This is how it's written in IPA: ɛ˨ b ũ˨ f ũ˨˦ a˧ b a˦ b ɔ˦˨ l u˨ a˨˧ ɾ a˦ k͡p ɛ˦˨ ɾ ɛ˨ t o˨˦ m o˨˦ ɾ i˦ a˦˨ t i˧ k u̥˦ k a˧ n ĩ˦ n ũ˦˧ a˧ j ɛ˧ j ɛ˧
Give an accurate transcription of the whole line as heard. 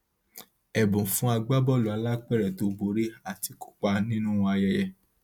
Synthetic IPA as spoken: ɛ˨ b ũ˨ f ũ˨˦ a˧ ɡ͡b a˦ b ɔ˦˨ l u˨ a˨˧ l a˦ k͡p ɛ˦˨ ɾ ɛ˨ t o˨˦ b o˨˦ ɾ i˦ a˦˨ t i˧ k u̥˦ k͡p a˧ n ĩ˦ n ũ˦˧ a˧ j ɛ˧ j ɛ˧